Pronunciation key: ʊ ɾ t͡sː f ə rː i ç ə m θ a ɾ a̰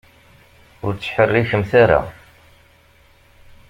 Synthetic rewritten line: ʊ ɾ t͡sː ħ ə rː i ç ə m θ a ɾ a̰